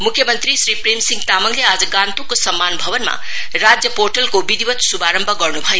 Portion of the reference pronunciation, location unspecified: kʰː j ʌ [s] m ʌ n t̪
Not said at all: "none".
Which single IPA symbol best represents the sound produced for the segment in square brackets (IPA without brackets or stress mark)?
none